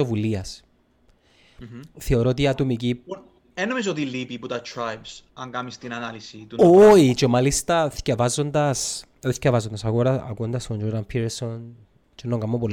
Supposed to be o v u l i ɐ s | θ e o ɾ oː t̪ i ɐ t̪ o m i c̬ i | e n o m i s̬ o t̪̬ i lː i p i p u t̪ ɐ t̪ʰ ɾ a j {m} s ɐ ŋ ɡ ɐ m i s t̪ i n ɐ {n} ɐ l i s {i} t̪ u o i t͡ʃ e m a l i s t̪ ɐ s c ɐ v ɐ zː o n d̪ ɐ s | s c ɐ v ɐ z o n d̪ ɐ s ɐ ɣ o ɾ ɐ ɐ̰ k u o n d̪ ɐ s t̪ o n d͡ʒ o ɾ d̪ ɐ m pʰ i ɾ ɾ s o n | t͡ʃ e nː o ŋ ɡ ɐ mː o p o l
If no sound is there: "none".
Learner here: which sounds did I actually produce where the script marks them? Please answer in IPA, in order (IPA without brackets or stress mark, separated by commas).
b, n, i